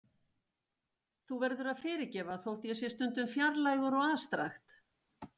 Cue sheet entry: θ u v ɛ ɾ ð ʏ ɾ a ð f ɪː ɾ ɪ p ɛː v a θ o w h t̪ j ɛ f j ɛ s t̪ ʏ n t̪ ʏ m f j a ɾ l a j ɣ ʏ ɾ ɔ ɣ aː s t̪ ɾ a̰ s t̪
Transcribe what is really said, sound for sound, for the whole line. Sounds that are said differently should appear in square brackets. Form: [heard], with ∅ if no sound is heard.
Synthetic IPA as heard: θ u v ɛ ɾ ð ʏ ɾ a ð f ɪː ɾ ɪ [c] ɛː v a θ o w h t̪ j ɛ [s] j ɛ s t̪ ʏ n t̪ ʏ m f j a ɾ l a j ɣ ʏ ɾ ɔ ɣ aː s t̪ ɾ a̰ [x] t̪